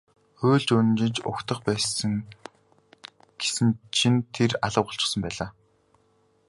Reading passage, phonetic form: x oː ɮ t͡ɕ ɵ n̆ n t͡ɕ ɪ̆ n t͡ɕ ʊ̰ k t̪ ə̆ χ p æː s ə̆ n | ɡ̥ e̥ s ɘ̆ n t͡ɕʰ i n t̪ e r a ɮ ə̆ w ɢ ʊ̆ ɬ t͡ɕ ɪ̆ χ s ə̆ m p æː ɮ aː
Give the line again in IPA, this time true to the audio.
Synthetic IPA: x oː ɮ t͡ɕ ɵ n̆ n t͡ɕ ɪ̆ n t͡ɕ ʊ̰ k t̪ ə̆ χ p æː s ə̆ ŋ | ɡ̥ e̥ s ɘ̆ n t͡ɕʰ i n t̪ʰ e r a ɮ ə̆ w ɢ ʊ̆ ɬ t͡ɕ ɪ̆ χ s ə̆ m p æː ɮ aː